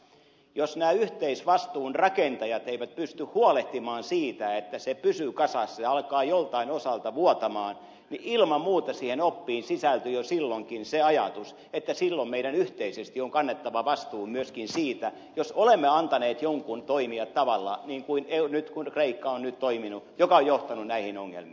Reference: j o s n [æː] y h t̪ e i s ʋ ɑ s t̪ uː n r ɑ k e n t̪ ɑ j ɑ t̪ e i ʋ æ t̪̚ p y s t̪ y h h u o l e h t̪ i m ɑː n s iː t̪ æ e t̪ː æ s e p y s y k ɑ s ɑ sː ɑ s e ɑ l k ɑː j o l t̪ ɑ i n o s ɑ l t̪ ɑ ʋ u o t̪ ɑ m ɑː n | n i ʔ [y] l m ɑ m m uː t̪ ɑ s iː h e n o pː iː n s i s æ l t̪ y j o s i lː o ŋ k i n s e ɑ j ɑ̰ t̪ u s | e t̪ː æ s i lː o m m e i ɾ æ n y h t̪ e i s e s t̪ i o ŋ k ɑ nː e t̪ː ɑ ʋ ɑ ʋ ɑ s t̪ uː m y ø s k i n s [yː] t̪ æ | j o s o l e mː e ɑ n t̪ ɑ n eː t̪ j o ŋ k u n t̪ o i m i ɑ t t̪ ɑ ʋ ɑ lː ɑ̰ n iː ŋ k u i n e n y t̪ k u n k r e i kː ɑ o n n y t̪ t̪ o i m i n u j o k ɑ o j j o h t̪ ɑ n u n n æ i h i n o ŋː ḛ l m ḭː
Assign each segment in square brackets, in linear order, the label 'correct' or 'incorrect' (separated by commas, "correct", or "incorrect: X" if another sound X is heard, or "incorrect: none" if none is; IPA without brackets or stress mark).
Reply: correct, incorrect: i, incorrect: iː